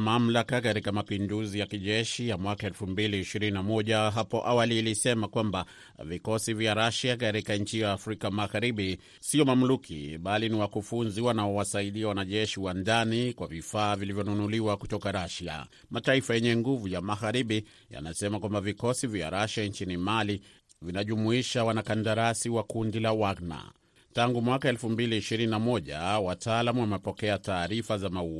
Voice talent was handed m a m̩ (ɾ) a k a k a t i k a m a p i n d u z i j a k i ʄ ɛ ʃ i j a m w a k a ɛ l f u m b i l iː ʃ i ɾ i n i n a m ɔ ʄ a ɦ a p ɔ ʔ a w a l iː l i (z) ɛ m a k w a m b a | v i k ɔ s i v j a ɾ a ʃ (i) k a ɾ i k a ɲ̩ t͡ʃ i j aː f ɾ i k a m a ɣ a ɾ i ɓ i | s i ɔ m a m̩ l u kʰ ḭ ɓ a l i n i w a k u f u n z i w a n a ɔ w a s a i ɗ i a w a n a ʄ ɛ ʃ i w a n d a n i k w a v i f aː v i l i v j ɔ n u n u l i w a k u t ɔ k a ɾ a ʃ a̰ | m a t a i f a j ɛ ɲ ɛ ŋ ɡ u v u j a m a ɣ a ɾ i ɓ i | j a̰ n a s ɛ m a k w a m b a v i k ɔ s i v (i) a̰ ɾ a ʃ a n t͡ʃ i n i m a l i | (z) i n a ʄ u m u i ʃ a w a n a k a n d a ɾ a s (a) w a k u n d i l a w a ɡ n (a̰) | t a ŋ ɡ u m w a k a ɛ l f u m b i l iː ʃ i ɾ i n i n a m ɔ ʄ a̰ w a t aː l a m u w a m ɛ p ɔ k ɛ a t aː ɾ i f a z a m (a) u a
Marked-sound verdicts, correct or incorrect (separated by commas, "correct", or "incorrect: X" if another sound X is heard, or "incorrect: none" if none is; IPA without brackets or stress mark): incorrect: l, incorrect: s, incorrect: a, incorrect: j, incorrect: v, incorrect: i, correct, correct